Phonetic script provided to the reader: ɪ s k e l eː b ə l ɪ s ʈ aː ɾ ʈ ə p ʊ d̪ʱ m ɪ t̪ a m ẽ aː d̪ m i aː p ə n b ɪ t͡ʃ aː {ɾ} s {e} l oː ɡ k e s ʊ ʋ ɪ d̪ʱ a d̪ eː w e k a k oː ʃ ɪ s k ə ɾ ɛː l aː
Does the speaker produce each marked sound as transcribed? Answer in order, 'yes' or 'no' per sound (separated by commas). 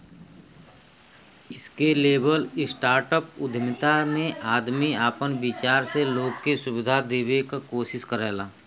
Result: yes, yes